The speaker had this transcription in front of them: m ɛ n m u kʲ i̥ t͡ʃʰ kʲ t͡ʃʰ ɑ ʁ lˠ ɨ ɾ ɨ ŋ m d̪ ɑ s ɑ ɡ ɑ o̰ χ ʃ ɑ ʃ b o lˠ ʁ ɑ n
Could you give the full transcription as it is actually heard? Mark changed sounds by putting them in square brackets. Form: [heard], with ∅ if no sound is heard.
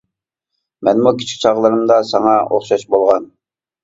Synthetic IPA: m ɛ n m u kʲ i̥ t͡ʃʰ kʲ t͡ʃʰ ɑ ʁ lˠ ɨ ɾ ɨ [∅] m d̪ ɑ s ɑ [ŋ] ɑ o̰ χ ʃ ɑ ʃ b o lˠ ʁ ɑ n